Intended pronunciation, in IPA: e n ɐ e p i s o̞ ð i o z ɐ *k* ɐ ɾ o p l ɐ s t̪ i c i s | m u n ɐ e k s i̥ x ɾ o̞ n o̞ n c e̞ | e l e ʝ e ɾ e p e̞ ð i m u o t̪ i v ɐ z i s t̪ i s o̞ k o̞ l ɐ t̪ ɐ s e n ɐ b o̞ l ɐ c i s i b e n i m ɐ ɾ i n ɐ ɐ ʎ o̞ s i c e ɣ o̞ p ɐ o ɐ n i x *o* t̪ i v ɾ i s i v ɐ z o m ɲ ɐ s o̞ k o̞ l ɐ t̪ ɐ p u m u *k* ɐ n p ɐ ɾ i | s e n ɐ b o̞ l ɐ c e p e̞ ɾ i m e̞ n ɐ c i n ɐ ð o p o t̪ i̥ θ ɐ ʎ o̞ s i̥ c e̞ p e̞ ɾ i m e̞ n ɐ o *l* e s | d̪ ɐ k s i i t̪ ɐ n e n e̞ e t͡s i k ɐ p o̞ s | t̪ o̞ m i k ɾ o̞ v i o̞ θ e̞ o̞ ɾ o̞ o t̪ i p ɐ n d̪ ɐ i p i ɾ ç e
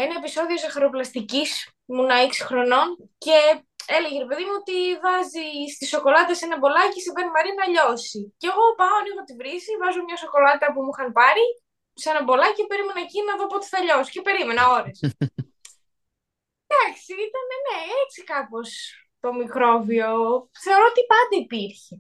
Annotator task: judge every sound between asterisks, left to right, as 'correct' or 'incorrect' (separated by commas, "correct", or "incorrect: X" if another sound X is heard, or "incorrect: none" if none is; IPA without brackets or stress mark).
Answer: incorrect: x, correct, incorrect: x, incorrect: ɾ